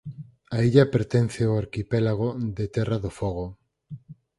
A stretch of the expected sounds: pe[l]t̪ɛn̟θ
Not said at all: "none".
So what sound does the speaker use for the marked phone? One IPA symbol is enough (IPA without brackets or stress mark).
ɾ